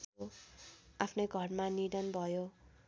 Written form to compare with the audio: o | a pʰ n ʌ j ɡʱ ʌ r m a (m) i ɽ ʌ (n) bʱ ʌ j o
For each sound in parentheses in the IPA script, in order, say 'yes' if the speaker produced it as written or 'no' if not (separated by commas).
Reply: no, yes